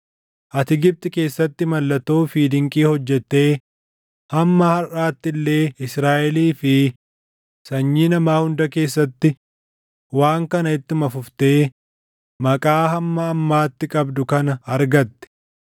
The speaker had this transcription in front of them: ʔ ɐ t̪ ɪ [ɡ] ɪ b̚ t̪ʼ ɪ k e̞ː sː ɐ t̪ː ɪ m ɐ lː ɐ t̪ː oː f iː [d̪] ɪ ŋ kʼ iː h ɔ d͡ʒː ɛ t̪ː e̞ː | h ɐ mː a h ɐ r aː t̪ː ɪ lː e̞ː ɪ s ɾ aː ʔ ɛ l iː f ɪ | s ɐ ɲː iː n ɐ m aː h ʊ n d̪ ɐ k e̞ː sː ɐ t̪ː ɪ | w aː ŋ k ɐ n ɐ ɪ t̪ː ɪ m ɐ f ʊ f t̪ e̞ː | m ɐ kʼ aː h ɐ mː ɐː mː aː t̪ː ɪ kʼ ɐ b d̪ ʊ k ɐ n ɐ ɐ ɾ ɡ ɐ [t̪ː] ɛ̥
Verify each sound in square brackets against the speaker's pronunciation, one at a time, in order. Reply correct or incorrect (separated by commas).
correct, correct, correct